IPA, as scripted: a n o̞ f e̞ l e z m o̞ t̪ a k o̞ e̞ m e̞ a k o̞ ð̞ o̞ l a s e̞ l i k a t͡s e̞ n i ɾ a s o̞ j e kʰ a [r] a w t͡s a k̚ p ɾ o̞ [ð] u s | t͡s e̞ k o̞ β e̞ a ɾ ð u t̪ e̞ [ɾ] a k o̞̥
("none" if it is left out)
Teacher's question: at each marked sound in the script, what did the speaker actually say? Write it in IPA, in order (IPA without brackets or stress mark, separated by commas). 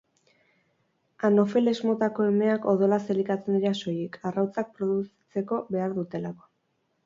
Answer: r, ð, l